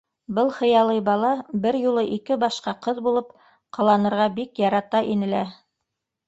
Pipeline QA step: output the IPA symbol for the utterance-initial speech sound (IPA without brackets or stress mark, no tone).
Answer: b